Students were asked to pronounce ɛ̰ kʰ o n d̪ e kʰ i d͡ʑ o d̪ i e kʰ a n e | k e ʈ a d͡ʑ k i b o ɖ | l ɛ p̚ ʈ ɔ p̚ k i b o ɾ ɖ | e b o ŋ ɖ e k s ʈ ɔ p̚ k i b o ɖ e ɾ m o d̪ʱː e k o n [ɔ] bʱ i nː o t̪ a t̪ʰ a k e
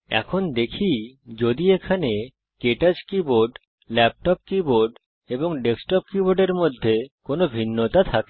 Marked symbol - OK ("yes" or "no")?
no